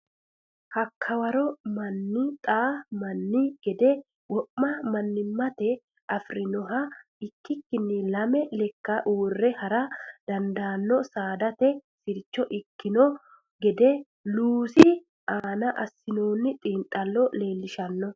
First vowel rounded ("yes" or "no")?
no